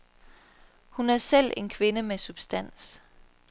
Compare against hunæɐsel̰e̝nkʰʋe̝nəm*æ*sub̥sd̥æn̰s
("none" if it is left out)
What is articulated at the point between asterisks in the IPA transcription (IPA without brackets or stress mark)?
e